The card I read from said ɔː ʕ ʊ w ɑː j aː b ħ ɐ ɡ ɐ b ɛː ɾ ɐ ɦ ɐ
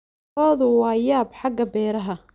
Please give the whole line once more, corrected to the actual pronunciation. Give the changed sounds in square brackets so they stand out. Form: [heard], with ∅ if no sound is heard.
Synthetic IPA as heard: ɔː [ð] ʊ w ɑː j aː b ħ [ɑ] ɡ ɐ b ɛː ɾ ɐ ɦ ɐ